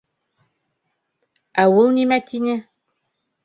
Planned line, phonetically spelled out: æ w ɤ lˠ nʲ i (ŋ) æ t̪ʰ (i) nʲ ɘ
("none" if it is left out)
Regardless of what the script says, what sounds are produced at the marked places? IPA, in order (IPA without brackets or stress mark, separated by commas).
m, i